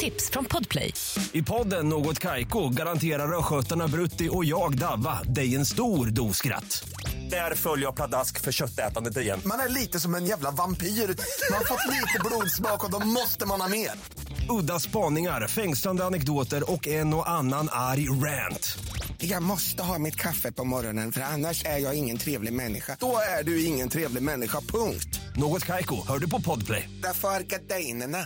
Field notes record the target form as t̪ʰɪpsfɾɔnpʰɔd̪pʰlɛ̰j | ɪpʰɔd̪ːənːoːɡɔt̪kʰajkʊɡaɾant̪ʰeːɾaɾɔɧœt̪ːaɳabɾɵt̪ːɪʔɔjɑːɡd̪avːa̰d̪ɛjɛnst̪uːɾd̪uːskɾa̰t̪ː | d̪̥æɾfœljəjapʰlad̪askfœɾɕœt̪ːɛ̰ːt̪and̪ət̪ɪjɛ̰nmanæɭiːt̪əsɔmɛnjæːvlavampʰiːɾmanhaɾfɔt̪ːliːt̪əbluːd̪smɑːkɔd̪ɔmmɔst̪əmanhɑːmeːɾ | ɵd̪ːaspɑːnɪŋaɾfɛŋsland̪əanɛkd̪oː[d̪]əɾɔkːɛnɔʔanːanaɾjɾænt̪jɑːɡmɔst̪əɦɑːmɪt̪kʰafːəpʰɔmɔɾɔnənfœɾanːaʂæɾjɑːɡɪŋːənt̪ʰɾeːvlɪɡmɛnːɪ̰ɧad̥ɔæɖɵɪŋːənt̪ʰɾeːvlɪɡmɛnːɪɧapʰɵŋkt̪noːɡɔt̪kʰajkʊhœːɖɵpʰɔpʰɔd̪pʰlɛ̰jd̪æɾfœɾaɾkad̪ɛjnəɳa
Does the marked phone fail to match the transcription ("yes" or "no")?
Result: yes